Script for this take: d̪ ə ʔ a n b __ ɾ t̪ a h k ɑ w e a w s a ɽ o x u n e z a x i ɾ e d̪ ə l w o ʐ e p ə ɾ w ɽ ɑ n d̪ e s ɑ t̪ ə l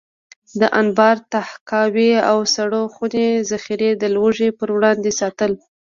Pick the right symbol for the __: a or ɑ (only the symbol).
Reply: ɑ